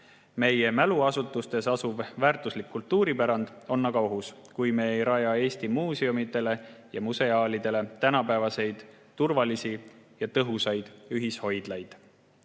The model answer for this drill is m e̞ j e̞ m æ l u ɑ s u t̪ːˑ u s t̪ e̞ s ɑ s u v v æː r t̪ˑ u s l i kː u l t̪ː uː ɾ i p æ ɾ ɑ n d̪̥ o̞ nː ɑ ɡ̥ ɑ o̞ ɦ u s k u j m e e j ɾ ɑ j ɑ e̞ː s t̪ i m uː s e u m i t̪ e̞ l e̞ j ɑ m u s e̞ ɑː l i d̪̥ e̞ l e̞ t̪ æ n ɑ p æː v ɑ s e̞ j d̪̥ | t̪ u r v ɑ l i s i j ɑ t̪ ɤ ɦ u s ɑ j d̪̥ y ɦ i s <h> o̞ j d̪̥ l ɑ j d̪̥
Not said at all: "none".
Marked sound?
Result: h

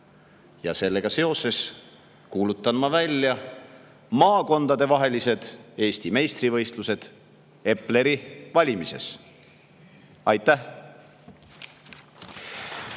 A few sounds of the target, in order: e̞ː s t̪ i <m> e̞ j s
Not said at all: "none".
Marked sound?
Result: m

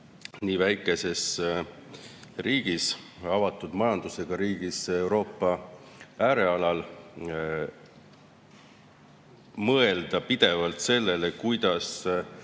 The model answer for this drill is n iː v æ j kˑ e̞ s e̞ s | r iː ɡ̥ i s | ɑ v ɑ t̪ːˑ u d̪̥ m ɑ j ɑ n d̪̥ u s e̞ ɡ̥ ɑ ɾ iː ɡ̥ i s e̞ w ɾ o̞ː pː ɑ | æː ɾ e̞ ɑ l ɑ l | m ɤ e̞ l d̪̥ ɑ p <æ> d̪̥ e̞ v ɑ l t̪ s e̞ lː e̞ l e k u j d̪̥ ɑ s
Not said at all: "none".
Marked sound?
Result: i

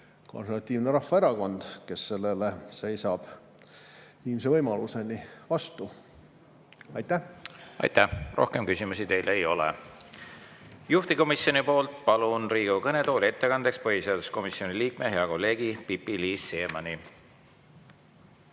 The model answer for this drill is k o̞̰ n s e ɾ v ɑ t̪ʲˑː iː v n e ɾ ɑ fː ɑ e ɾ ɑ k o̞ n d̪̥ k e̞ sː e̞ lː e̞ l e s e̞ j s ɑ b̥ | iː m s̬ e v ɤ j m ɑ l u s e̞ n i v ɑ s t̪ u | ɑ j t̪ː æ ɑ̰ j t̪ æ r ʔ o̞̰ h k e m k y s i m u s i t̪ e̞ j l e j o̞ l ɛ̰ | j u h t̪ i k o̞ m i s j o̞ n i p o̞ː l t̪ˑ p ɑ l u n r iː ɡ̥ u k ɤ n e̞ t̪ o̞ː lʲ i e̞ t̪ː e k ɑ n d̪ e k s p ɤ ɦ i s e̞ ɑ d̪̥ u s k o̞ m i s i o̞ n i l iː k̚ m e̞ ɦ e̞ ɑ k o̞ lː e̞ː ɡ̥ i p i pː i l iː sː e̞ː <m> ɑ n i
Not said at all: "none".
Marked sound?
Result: m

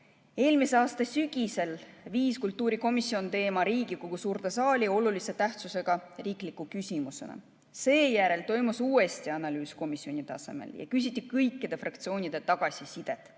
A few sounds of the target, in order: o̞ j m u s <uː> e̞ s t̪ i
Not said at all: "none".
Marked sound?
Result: uː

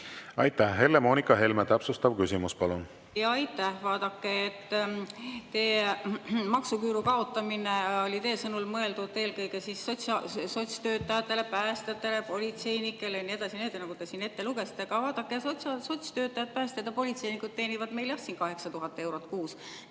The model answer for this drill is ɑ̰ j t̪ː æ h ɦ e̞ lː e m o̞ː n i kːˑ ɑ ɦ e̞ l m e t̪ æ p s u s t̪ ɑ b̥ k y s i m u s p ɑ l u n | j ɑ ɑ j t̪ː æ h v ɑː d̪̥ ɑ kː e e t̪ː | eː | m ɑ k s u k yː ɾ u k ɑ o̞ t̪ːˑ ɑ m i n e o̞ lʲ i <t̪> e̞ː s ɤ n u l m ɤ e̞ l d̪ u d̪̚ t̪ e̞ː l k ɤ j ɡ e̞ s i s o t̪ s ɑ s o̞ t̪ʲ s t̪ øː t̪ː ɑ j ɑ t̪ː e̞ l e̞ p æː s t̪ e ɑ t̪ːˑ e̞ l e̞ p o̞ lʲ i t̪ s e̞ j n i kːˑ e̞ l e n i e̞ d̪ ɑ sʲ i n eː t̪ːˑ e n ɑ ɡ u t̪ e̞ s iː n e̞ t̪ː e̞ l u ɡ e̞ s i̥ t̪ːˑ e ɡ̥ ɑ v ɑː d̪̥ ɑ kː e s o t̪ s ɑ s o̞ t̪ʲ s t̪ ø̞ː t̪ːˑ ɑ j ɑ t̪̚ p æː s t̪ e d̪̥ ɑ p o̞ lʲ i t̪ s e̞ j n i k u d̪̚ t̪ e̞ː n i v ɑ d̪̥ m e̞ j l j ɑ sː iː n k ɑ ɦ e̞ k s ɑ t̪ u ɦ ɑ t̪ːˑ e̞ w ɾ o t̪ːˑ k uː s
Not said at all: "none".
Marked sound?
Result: t̪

